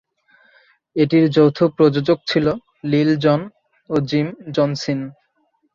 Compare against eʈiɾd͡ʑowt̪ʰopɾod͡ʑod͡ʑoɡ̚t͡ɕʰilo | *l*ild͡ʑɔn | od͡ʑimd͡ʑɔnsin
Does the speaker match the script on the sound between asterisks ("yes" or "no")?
yes